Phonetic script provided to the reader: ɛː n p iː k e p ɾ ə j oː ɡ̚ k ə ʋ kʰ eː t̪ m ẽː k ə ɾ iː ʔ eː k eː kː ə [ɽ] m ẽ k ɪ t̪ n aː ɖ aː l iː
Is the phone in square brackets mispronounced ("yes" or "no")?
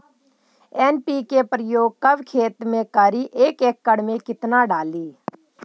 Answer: no